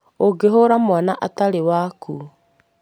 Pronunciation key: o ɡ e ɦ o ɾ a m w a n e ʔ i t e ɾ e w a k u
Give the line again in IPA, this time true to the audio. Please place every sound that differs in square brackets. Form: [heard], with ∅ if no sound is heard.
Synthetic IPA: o ɡ e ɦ o ɾ a m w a n [a] ʔ [a] t [a] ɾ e w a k u